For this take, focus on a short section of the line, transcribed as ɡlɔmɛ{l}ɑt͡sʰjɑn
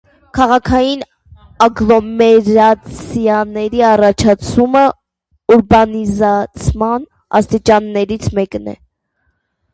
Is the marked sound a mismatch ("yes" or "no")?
yes